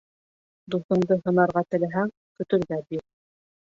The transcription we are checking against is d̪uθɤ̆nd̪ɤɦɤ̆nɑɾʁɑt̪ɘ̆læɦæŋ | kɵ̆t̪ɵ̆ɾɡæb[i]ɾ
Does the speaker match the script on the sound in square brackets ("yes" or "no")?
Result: yes